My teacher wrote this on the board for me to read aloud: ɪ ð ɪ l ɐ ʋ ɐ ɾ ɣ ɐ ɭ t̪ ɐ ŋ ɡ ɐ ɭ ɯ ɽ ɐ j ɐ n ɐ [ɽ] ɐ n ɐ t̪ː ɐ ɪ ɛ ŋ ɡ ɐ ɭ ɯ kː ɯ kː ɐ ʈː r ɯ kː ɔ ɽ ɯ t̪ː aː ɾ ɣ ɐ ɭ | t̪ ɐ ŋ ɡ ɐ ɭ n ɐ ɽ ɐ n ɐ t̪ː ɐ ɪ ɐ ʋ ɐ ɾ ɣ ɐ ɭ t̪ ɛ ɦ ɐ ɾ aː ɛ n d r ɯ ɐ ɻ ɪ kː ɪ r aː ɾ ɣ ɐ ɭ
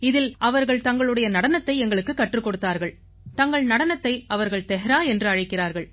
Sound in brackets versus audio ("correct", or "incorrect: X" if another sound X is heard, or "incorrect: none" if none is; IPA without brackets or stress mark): correct